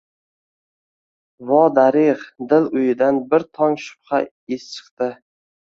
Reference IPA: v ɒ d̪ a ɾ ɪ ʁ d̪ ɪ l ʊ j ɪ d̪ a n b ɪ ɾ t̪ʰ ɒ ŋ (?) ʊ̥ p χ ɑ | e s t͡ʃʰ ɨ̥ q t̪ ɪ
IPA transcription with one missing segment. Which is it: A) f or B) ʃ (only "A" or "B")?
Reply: B